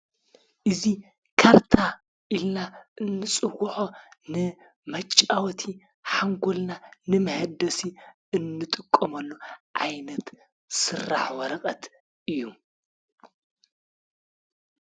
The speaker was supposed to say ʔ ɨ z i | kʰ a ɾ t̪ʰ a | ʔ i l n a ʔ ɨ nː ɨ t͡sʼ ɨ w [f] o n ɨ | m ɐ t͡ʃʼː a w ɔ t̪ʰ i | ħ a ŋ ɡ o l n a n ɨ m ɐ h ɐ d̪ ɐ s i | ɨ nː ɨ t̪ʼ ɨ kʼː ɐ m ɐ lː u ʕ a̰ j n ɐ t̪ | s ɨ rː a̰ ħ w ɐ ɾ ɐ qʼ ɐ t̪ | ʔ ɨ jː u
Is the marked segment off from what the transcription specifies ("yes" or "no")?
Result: yes